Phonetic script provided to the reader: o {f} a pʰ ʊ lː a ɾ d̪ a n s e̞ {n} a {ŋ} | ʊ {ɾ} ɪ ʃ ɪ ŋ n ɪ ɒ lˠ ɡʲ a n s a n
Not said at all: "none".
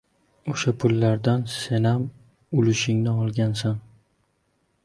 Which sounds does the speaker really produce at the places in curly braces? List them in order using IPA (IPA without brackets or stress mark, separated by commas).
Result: ʃ, n, m, l